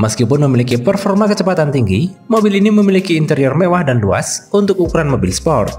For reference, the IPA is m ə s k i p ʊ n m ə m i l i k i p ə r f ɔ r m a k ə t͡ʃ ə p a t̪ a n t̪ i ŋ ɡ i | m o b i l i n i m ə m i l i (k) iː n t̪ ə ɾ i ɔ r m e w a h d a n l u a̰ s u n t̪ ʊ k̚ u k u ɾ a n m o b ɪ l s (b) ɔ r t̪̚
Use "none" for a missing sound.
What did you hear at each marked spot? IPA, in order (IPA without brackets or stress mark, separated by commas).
k, p